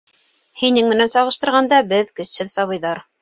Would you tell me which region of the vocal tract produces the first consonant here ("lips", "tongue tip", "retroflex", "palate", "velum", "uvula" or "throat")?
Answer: throat